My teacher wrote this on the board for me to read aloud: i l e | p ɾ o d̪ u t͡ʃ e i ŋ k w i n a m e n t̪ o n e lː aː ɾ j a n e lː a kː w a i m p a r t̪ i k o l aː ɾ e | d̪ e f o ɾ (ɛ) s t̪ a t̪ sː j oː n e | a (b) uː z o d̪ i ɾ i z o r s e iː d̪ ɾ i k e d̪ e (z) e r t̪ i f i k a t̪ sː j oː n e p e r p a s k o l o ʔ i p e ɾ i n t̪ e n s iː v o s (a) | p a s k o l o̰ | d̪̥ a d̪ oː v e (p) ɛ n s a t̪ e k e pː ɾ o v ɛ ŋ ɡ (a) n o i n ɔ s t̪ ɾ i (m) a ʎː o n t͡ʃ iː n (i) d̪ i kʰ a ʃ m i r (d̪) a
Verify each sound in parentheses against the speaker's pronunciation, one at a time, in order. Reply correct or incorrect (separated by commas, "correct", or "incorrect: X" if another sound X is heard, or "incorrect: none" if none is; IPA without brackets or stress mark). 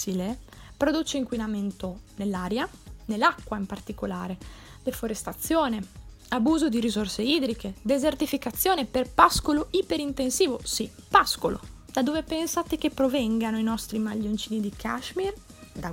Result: incorrect: e, correct, correct, incorrect: i, correct, correct, correct, correct, correct